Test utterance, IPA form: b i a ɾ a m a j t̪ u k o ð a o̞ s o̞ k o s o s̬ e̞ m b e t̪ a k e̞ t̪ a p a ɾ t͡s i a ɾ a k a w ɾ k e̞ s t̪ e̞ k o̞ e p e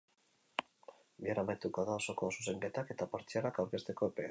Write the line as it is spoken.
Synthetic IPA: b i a ɾ a m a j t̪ u k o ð a o̞ s o̞ k o s u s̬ e̞ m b e t̪ a k e̞ t̪ a p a ɾ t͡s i a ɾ a k a w ɾ k e̞ s t̪ e̞ k o̞ e p e